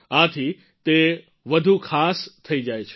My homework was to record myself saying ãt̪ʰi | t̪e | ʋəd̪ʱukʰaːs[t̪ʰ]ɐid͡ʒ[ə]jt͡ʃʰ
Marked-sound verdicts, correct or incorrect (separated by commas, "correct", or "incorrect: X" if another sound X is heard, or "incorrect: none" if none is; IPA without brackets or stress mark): correct, incorrect: a